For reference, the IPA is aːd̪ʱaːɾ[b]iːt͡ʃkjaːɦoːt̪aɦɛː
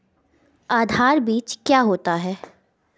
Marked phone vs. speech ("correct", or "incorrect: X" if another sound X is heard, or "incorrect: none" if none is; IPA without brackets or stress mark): correct